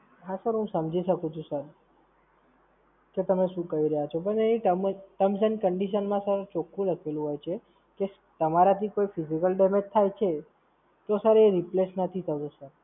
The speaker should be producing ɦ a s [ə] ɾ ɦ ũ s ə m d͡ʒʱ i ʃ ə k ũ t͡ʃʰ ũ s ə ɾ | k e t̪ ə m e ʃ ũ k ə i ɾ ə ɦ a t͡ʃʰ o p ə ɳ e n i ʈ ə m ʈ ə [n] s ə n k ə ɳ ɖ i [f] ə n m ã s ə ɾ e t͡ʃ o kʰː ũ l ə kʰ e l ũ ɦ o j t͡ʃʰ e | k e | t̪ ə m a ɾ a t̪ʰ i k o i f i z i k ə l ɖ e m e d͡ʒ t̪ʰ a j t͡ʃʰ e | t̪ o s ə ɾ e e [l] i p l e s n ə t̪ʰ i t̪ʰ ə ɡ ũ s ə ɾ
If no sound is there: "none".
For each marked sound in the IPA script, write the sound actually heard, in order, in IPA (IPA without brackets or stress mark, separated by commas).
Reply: ə, m, ʃ, ɾ